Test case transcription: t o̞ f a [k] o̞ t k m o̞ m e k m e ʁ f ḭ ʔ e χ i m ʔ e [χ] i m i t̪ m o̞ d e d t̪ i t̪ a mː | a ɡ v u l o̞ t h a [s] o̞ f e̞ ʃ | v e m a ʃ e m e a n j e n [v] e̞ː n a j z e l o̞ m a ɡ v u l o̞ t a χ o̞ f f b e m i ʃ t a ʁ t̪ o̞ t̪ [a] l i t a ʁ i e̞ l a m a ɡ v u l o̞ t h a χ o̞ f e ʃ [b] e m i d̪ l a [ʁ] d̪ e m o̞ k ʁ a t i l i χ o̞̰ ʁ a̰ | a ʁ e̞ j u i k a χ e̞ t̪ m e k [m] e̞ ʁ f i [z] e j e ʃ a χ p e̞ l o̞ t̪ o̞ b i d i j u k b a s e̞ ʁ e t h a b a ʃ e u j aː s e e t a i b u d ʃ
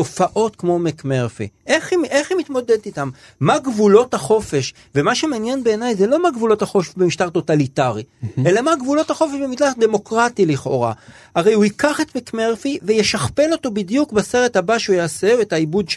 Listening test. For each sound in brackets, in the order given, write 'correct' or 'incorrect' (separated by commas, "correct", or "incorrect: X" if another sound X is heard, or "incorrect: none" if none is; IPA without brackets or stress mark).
incorrect: ʔ, correct, incorrect: χ, incorrect: b, correct, correct, incorrect: χ, correct, incorrect: v